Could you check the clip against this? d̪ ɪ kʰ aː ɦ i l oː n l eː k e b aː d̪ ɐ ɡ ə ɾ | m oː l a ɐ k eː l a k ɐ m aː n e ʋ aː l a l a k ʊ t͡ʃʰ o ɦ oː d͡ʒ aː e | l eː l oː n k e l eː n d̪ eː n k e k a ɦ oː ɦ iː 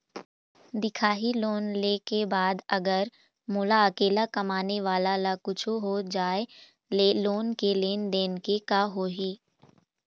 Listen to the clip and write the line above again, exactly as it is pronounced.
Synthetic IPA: d̪ ɪ kʰ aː ɦ i l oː n l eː k e b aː d̪ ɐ ɡ ə ɾ | m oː l a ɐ k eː l a k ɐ m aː n e ʋ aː l a l a k ʊ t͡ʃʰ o ɦ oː d͡ʒ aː e | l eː l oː n k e l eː n d̪ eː n k e k a ɦ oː ɦ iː